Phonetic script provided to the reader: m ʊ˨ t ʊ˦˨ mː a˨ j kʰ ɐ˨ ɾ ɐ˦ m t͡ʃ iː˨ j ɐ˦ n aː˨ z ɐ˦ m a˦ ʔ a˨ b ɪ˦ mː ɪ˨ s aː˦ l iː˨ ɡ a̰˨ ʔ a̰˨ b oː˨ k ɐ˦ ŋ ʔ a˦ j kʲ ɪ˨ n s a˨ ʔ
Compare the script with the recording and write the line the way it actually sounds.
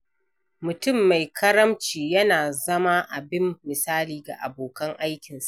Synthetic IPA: m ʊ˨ t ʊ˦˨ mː a˨ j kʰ ɐ˦ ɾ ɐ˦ m t͡ʃ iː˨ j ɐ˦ n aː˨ z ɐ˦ m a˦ ʔ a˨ b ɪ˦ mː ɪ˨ s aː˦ l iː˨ ɡ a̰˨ ʔ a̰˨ b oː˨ k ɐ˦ ŋ ʔ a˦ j kʲ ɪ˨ n s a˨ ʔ